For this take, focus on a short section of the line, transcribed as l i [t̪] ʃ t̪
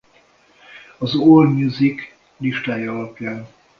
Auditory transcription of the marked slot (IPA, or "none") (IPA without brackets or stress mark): none